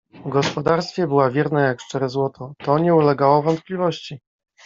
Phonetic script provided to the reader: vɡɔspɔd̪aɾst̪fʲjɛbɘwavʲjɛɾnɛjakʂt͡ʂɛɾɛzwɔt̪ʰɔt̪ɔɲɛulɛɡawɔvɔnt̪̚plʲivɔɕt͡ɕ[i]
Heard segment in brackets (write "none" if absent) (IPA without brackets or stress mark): i